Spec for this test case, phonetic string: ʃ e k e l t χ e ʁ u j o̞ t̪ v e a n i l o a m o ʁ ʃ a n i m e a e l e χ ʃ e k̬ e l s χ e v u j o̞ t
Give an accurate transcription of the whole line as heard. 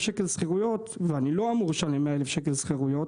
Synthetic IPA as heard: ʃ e k e l s χ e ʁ u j o̞ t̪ v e a n i l o a m u ʁ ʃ a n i m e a e l e f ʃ e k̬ e l s χ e ʁ u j o̞ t